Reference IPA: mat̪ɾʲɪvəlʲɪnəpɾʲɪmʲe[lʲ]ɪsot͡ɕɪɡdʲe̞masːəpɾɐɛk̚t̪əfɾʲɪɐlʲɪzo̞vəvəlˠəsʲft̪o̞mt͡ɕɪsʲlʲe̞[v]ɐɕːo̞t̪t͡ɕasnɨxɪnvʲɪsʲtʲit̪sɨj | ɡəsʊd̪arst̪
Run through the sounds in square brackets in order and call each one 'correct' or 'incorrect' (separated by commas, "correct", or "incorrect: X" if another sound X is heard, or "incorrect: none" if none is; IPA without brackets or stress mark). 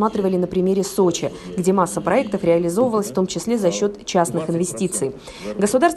incorrect: ɾʲ, incorrect: z